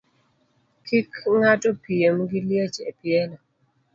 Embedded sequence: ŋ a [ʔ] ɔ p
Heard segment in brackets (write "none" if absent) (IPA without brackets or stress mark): t